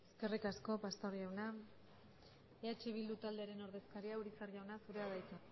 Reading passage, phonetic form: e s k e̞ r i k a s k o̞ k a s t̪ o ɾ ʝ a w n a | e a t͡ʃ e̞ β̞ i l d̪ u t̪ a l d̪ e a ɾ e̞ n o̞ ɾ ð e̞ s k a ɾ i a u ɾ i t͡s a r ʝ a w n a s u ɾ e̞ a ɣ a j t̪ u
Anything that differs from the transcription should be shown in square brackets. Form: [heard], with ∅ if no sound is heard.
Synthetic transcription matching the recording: e s k e̞ r i k a s k o̞ [p] a s t̪ o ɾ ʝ a w n a | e a t͡ʃ e̞ β̞ i l d̪ u t̪ a l d̪ e a ɾ e̞ n o̞ ɾ ð e̞ s k a ɾ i a u ɾ i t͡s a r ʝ a w n a s u ɾ e̞ a [ð] a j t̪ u